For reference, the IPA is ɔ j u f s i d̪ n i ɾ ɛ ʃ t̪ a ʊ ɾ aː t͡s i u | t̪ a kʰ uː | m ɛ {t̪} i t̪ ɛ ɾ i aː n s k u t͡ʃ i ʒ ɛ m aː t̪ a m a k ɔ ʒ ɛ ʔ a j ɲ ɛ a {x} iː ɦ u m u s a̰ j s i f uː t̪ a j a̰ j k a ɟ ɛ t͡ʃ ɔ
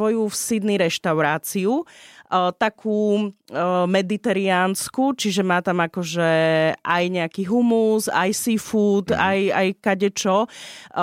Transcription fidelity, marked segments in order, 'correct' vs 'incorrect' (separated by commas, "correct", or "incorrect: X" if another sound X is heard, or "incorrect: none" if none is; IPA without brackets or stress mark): incorrect: d̪, incorrect: k